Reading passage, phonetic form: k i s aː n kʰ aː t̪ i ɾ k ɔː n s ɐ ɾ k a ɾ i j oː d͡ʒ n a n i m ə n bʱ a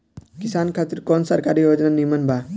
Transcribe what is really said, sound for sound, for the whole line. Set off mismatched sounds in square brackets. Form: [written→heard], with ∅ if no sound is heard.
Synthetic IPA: k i s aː n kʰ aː t̪ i ɾ k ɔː n s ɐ ɾ k a ɾ i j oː d͡ʒ n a n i m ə n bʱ a